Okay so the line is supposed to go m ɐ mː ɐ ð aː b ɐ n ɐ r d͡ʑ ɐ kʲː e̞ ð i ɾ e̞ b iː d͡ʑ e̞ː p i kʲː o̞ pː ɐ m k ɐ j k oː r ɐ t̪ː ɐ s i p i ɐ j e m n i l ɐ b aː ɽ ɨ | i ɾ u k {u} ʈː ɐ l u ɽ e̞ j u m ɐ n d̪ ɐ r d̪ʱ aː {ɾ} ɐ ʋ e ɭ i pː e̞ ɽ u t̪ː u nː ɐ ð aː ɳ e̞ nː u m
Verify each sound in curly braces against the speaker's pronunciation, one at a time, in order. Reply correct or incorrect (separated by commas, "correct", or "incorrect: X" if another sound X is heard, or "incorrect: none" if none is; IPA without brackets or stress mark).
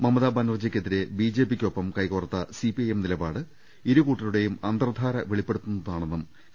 incorrect: uː, correct